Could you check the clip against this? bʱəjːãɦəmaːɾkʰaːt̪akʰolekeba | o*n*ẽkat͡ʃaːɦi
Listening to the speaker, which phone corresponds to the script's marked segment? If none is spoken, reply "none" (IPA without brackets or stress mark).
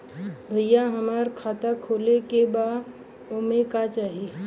m